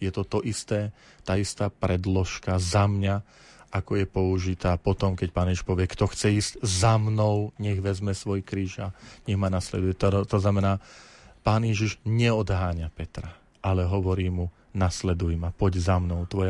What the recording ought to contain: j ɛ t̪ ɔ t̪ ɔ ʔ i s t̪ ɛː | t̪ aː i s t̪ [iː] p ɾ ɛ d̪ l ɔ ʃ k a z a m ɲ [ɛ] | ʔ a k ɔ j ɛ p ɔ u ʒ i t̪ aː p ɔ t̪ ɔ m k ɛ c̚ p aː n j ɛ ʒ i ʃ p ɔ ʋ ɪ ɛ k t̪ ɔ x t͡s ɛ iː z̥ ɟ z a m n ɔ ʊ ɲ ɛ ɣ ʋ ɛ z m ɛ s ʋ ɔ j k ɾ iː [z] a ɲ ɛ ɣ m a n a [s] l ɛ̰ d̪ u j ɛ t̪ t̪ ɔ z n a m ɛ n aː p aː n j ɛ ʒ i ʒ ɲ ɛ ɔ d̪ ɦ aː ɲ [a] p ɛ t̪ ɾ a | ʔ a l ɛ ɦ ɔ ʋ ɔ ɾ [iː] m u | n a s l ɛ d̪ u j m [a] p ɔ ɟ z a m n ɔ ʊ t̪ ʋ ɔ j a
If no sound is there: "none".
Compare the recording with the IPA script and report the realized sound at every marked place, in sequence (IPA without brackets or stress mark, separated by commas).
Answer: aː, a, ʒ, s, a, iː, a